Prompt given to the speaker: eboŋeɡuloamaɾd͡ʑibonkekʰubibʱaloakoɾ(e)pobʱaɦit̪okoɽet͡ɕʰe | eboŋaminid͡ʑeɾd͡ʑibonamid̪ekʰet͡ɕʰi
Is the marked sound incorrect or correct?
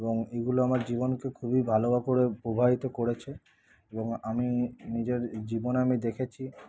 correct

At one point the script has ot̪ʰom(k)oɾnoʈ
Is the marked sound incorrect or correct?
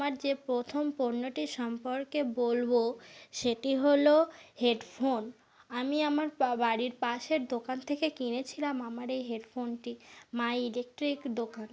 incorrect: p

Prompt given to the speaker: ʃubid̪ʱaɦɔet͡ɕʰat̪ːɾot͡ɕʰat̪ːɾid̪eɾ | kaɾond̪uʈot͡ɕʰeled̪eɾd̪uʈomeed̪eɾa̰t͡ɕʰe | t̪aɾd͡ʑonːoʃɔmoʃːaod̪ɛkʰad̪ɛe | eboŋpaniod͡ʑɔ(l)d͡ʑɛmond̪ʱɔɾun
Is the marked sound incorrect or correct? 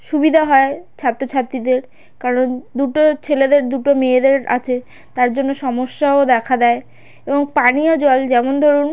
correct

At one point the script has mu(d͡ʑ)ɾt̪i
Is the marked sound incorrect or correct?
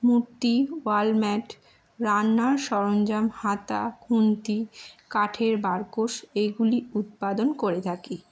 incorrect: none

